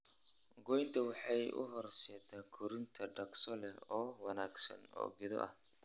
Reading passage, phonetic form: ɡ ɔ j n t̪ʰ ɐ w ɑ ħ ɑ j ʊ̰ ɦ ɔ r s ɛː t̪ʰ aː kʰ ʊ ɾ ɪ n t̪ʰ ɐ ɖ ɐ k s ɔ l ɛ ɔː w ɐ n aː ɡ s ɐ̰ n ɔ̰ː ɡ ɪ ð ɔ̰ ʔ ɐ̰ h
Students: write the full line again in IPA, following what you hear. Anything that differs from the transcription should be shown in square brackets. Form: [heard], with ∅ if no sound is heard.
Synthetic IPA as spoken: ɡ ɔ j n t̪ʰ ɐ w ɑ ħ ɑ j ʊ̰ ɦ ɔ r s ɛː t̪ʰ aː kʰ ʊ ɾ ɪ n t̪ʰ ɐ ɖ ɐ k s ɔ l ɛ ɔː w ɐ n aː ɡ s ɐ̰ n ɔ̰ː ɡ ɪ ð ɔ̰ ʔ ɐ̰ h